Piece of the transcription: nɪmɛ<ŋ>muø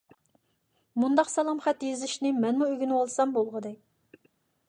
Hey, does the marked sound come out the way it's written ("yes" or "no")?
no